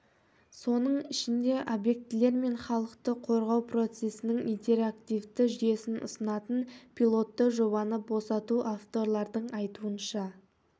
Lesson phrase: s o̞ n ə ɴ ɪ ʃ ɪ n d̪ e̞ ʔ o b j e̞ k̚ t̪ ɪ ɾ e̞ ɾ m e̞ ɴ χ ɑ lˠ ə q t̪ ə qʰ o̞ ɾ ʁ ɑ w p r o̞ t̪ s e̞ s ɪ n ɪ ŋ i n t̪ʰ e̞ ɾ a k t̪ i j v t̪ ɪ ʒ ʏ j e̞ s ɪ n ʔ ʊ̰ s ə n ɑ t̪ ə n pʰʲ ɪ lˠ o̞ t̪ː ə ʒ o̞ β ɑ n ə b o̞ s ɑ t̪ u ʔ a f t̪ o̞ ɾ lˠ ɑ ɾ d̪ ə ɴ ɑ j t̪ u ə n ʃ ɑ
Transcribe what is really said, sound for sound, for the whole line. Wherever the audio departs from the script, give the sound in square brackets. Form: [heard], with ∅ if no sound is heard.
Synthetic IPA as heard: s o̞ n ə ɴ ɪ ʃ ɪ n d̪ e̞ ʔ o b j e̞ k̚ t̪ ɪ [l] e̞ ɾ m e̞ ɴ χ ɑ lˠ ə q t̪ ə qʰ o̞ ɾ ʁ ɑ w p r o̞ t̪ s e̞ s ɪ n ɪ ŋ i n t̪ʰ e̞ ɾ a k t̪ i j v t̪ ɪ ʒ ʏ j e̞ s ɪ n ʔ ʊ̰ s ə n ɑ t̪ ə n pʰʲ [i] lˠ o̞ t̪ː ə ʒ o̞ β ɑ n ə b o̞ s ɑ t̪ u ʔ a f t̪ o̞ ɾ lˠ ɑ ɾ d̪ ə ɴ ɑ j t̪ u ə n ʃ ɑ